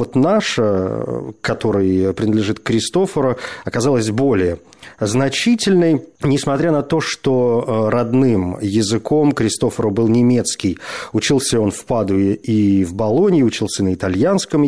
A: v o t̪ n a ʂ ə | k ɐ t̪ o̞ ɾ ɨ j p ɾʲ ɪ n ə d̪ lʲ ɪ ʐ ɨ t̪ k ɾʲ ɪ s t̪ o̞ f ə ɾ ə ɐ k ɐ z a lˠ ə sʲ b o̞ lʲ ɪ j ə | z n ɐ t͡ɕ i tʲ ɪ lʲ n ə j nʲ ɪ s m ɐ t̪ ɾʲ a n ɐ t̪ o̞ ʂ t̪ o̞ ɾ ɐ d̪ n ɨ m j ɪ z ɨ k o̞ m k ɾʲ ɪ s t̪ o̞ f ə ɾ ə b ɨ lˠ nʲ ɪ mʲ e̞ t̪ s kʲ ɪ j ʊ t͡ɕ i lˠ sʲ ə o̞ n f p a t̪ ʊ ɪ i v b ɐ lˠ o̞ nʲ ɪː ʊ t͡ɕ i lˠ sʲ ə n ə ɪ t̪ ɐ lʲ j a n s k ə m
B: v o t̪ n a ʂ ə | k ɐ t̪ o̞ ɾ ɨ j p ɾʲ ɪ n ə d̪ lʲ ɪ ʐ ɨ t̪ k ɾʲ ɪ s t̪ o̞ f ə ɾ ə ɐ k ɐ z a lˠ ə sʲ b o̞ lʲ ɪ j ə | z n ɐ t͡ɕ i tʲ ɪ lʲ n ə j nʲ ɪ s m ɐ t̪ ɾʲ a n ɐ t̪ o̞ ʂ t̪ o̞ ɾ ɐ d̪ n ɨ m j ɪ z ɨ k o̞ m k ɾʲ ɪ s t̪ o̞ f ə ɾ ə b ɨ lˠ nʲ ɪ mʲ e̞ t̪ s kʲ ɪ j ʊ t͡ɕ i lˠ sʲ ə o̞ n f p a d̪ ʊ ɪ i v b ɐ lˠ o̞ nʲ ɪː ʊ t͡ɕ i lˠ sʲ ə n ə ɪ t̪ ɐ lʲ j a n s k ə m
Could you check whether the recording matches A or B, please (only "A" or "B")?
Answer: B